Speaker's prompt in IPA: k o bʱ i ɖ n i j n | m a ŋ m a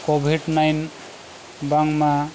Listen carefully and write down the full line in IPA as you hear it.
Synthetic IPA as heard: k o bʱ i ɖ n a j n | b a ŋ m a